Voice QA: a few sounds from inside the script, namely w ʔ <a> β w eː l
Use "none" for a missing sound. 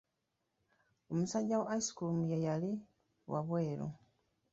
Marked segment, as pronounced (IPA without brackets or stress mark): a